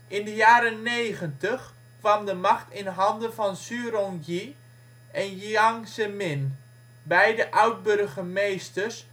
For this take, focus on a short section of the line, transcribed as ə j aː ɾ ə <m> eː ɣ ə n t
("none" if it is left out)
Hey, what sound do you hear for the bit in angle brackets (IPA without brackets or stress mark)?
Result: n